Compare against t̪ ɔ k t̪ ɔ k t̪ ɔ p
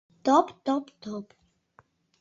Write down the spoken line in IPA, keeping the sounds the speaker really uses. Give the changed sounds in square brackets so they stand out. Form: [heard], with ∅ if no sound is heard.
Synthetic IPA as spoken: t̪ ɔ [p] t̪ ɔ [p] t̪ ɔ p